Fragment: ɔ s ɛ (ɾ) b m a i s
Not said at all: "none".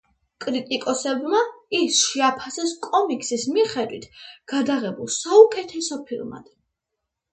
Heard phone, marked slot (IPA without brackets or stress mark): none